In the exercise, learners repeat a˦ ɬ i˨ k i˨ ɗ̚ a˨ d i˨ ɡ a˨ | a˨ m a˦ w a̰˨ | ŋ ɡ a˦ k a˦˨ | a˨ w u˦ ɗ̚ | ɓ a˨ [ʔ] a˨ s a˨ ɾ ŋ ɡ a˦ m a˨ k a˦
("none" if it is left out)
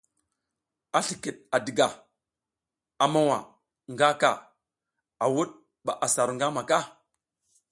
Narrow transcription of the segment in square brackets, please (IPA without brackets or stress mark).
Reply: ʔ